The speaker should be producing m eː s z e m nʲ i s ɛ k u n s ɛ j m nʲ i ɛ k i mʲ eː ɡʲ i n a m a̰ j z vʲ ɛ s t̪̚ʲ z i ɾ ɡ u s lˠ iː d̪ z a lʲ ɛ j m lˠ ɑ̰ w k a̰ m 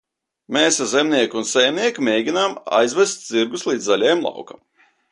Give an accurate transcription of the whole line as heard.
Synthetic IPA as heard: m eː s z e m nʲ i ɛ k u n s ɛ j m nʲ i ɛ k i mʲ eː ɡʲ i n a m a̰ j z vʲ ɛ s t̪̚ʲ z i ɾ ɡ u s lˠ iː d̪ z a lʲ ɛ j m lˠ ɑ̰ w k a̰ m